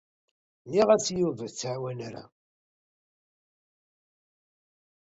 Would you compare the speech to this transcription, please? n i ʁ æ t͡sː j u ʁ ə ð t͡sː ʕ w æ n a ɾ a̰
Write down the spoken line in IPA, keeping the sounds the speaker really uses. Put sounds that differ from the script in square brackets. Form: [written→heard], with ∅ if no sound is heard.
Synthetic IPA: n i ʁ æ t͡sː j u [ʁ→v] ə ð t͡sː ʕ w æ n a ɾ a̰